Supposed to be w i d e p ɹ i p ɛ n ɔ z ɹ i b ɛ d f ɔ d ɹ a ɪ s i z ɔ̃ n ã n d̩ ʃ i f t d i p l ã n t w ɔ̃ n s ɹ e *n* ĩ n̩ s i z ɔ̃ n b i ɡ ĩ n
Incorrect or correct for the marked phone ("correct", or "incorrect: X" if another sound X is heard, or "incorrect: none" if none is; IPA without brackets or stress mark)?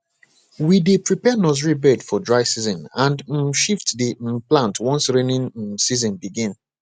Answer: correct